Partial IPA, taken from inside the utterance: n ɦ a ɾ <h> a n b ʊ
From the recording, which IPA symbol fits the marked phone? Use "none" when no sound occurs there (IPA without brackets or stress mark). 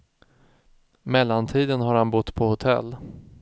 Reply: h